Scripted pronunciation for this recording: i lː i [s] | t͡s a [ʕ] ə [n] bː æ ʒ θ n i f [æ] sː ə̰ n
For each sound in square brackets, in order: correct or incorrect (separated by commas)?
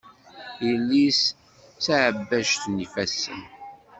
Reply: correct, correct, incorrect, correct